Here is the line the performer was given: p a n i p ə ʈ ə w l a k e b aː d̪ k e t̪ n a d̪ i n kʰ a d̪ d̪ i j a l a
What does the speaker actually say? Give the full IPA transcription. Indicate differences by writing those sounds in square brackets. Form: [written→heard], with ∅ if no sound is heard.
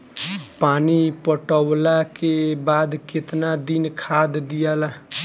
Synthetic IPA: p a n i p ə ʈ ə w l a k e b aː d̪ k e t̪ n a d̪ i n kʰ a d̪ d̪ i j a l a